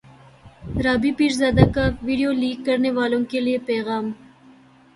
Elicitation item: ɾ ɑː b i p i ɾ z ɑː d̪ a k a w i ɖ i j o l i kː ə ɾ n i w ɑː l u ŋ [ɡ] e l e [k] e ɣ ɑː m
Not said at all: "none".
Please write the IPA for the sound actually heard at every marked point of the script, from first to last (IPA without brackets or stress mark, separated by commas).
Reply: k, p